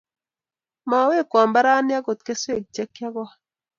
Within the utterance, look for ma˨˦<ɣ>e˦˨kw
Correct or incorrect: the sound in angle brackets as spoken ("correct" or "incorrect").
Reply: incorrect